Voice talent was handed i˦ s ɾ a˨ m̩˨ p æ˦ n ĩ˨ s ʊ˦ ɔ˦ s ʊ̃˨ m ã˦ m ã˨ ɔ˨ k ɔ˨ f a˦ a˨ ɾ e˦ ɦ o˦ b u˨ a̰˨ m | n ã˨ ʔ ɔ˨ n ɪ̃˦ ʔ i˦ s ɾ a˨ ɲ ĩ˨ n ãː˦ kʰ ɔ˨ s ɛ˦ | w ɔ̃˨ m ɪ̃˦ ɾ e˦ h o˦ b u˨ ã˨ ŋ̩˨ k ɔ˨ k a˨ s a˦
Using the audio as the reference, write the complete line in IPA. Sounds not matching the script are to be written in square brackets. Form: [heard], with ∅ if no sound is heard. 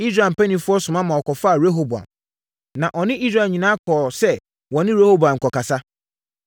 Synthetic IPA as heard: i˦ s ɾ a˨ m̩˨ p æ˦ n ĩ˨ [f] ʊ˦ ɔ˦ s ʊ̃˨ m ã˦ m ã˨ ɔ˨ k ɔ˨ f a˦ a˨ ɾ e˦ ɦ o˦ b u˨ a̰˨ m | n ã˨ ʔ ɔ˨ n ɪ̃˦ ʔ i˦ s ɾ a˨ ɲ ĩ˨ n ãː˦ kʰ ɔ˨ s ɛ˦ | w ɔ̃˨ [n] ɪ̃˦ ɾ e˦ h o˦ b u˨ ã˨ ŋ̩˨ k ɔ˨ k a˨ s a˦

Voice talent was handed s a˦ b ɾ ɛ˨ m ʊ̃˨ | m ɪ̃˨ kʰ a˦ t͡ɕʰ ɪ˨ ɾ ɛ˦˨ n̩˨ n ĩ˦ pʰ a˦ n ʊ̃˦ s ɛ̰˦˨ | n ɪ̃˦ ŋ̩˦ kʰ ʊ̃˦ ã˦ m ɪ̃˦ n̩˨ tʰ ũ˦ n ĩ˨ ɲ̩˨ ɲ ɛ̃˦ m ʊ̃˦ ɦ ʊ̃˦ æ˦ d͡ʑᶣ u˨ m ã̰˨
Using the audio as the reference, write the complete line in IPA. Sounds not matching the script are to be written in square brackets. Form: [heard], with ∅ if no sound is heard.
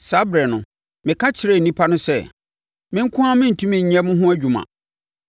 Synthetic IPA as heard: s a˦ b ɾ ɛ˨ [n] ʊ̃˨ | m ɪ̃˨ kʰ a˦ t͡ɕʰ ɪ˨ ɾ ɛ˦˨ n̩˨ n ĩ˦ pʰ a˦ n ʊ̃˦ s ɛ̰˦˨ | [m] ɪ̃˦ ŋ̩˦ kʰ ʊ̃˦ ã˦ m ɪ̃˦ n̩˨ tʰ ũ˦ [m] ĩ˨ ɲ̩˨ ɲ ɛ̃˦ m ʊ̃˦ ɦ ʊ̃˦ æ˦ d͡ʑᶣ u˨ m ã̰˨

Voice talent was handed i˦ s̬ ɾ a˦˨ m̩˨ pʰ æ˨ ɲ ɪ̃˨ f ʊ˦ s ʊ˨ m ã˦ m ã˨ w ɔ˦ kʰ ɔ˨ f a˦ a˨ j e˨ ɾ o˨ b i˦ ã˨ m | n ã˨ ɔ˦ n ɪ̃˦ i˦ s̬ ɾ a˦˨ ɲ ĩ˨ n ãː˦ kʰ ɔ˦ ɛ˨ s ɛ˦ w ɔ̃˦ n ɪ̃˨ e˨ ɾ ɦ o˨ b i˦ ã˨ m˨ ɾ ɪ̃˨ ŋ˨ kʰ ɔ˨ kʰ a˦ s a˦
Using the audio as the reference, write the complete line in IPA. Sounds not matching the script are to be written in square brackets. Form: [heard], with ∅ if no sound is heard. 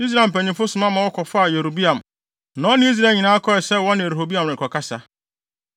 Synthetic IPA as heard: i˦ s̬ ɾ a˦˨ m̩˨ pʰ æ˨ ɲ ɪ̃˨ f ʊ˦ s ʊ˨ m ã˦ m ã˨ w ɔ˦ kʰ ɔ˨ f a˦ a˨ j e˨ ɾ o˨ b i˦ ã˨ m | n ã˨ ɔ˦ n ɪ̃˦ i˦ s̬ ɾ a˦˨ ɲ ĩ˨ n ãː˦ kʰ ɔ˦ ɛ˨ s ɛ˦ w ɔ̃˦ n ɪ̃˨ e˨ ɾ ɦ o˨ b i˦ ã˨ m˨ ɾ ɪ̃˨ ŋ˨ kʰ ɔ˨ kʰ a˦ s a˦

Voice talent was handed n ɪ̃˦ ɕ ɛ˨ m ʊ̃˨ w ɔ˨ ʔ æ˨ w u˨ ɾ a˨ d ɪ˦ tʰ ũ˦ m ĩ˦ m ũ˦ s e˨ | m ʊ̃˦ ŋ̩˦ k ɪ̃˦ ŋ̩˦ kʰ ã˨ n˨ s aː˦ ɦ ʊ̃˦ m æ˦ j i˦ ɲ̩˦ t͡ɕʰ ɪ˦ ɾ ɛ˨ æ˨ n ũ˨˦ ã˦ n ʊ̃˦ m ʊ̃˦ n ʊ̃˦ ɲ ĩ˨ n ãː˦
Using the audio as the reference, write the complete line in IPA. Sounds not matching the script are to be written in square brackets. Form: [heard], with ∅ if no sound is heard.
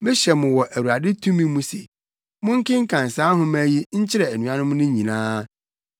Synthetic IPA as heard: [m] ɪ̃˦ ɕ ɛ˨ m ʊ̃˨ w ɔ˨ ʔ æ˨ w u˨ ɾ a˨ d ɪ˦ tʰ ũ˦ m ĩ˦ m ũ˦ s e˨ | m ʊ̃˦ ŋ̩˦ k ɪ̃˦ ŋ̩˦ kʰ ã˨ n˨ s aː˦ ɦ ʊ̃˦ m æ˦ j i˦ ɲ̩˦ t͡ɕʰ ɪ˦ ɾ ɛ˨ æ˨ n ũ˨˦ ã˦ n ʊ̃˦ m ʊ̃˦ n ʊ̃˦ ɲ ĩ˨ n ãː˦

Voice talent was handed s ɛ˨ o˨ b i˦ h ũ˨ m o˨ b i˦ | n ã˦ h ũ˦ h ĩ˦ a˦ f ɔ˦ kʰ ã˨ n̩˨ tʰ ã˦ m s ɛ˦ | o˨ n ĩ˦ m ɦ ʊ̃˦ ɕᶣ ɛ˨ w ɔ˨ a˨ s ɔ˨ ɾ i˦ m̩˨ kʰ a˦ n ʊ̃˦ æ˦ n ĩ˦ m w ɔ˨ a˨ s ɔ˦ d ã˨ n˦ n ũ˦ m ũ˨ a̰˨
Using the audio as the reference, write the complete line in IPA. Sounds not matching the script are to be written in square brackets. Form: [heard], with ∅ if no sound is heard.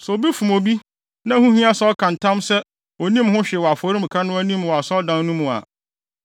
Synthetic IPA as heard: s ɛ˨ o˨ b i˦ [f] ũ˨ m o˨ b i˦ | n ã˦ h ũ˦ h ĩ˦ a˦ [s] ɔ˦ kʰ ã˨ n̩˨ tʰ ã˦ m s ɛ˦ | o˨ n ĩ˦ m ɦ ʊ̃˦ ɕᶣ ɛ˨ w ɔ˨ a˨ [f] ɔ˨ ɾ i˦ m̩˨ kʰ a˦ n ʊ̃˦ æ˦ n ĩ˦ m w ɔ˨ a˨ s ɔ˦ d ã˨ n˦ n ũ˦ m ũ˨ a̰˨

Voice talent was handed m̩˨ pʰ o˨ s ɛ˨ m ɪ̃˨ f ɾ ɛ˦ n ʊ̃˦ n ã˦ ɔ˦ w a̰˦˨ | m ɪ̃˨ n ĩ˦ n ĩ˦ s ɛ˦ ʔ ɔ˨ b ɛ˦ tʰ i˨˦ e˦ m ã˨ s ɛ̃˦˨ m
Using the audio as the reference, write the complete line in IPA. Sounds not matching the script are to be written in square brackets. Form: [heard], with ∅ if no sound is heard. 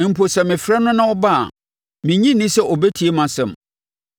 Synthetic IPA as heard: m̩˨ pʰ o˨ s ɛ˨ m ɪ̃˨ f ɾ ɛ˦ n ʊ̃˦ n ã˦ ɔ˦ [b] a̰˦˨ | m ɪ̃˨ [ɲ] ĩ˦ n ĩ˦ s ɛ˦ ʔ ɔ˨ b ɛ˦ tʰ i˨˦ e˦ m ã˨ s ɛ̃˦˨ m

